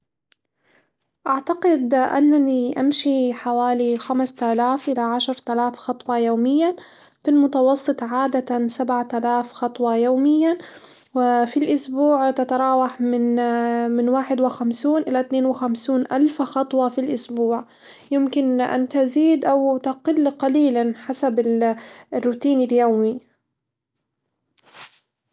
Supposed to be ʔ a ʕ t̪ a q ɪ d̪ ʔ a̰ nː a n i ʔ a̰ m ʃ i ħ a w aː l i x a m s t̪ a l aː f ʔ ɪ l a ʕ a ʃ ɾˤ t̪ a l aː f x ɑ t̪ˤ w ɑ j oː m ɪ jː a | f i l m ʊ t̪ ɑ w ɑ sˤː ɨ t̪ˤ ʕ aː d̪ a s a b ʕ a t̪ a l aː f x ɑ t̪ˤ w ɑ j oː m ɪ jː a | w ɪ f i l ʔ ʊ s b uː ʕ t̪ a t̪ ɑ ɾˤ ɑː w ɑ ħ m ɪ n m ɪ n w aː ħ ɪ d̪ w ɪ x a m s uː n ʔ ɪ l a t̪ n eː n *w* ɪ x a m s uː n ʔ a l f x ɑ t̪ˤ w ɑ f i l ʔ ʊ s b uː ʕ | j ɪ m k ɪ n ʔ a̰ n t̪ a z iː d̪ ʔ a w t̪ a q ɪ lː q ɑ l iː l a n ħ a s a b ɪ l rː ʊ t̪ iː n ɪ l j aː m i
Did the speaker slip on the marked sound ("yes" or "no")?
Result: no